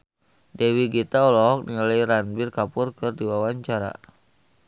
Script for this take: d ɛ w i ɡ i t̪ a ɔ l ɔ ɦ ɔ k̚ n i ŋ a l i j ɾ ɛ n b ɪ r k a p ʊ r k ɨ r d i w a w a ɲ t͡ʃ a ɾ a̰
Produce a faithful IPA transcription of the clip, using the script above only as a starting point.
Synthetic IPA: d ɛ w i ɡ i t̪ a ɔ l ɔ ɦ ɔ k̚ n i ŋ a l a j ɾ a n b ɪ r k a p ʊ r k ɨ r d i w a w a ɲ t͡ʃ a ɾ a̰